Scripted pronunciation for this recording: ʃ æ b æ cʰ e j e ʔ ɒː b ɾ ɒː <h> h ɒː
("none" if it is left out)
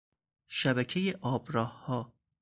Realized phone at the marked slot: h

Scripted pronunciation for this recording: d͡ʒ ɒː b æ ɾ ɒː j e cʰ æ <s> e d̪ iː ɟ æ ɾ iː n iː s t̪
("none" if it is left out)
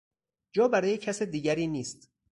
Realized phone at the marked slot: s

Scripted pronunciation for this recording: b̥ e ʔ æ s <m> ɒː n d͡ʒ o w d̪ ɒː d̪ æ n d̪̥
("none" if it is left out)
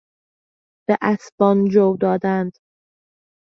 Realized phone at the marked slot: b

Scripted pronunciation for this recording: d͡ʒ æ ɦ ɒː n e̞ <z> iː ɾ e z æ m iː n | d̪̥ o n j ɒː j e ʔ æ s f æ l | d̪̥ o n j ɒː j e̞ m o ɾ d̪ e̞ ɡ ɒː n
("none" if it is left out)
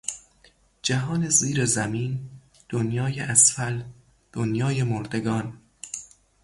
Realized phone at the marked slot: z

